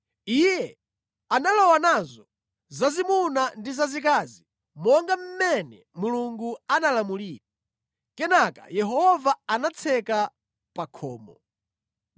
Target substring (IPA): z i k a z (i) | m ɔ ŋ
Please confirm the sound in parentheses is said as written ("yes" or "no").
yes